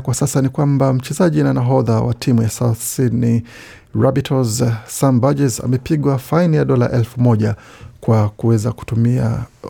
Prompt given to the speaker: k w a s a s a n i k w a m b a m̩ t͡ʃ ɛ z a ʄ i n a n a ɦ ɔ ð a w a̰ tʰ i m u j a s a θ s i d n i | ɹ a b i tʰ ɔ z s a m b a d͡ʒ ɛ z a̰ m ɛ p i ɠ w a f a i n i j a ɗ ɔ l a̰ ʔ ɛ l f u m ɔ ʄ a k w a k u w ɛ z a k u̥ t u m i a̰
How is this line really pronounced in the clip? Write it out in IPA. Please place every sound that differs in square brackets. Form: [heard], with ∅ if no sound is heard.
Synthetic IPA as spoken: k w a s a s a n i k w a m b a m̩ t͡ʃ ɛ z a ʄ i n a n a ɦ ɔ ð a w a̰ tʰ i m u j a s a θ s i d n i | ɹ a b i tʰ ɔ z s a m b a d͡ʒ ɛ z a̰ m ɛ p i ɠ w a f a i n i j a ɗ ɔ l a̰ ʔ ɛ l f u m ɔ ʄ a k w a k u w ɛ z a k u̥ t u m i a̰